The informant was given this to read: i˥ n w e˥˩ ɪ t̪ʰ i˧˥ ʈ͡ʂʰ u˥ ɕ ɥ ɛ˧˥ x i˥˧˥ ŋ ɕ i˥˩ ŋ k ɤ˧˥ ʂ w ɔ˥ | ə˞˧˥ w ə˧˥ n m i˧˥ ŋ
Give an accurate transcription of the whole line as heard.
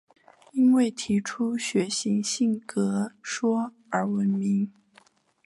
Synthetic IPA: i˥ n w e˥˩ ɪ t̪ʰ i˧˥ ʈ͡ʂʰ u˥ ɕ ɥ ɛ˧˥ ɕ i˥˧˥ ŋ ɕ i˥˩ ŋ k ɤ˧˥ ʂ w ɔ˥ | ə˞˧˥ w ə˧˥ n m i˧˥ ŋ